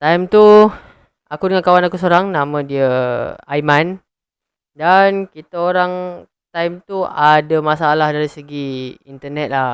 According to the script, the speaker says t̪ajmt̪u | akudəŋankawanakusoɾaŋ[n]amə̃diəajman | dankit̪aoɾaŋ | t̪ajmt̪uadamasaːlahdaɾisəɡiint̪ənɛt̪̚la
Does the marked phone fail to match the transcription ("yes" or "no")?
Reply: no